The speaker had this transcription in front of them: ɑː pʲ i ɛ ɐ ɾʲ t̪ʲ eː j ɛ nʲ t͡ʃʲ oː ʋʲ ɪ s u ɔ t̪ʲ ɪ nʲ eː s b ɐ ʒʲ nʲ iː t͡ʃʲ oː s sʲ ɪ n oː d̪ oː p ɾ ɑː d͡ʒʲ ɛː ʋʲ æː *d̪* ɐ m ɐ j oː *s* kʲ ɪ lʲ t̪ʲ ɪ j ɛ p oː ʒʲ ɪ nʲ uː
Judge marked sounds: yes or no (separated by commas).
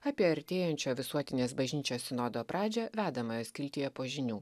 yes, yes